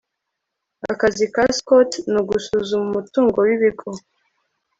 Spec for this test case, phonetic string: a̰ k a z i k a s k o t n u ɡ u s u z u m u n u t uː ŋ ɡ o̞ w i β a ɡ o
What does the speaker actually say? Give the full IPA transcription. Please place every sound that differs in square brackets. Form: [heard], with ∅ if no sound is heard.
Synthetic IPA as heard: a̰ k a z i k a s k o t n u ɡ u s u z u m u [m] u t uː ŋ ɡ o̞ w i β [i] ɡ o